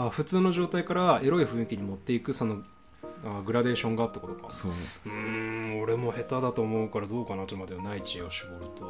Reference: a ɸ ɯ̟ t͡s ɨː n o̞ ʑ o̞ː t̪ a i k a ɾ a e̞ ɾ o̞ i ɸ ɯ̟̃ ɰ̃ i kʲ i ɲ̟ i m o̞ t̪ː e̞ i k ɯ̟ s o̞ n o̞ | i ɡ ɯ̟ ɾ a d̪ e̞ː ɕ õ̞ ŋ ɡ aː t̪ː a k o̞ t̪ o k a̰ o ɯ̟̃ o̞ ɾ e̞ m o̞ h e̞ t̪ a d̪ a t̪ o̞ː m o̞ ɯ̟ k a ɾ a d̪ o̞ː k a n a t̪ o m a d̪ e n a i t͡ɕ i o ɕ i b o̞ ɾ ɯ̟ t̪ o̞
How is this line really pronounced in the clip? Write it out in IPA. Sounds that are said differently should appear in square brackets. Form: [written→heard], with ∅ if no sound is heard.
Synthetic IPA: a ɸ ɯ̟ t͡s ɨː n o̞ ʑ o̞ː t̪ a i k a ɾ a e̞ ɾ o̞ i ɸ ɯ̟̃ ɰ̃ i kʲ i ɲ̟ i m o̞ t̪ː e̞ i k ɯ̟ s o̞ n o̞ | [i→a] ɡ ɯ̟ ɾ a d̪ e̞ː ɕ õ̞ ŋ ɡ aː t̪ː a k o̞ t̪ o k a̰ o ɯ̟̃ o̞ ɾ e̞ m o̞ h e̞ t̪ a d̪ a t̪ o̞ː m o̞ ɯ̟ k a ɾ a d̪ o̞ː k a n a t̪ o m a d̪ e n a i t͡ɕ i o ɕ i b o̞ ɾ ɯ̟ t̪ o̞